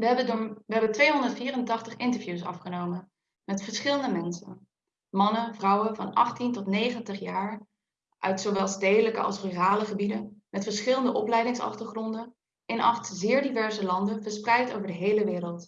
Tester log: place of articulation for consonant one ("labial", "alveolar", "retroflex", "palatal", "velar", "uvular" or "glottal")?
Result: labial